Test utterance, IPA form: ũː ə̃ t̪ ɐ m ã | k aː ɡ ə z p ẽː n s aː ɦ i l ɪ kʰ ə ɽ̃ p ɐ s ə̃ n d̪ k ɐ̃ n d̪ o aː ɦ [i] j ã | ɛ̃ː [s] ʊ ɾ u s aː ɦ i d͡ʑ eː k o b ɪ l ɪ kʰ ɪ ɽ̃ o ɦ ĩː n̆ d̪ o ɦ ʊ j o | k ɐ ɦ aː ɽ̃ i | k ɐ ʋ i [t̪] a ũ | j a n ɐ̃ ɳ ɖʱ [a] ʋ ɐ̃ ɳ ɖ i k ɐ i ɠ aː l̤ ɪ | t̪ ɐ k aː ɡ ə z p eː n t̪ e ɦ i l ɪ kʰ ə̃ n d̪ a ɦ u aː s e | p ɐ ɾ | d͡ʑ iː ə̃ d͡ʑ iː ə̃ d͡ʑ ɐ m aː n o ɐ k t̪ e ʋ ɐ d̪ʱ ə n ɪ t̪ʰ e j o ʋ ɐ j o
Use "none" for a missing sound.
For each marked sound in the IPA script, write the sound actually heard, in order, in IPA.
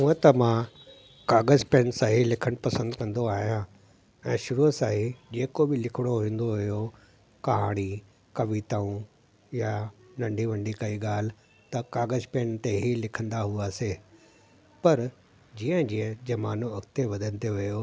i, ʃ, t̪, i

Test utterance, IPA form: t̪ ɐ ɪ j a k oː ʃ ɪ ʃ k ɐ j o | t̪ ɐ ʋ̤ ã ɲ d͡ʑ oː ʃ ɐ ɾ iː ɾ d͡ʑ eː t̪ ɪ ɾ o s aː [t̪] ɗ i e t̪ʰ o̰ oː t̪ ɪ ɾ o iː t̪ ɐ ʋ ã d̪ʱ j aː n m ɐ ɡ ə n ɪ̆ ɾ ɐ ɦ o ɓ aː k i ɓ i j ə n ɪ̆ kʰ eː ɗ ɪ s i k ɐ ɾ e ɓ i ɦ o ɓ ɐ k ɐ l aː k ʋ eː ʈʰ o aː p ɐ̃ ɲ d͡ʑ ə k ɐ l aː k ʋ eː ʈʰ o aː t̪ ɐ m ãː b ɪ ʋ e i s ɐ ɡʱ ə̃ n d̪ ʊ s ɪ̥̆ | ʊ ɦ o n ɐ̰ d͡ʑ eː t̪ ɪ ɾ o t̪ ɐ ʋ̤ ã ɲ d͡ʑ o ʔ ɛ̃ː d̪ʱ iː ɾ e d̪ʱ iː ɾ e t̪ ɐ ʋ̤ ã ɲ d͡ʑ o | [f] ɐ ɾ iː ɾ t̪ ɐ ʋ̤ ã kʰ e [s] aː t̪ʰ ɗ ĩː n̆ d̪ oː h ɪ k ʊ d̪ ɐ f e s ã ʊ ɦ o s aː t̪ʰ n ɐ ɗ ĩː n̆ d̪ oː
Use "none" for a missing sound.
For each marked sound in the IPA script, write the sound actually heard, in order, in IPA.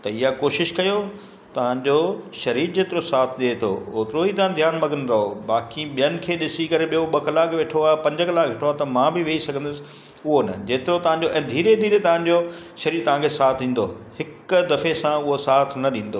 t̪ʰ, ʃ, s

